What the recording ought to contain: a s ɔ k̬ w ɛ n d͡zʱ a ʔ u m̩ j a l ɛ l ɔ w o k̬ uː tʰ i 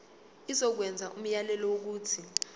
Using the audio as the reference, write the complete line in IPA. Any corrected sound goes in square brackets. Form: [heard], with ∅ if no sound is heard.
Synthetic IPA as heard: [i] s ɔ k̬ w ɛ n d͡zʱ a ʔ u m̩ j a l ɛ l ɔ w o k̬ uː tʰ i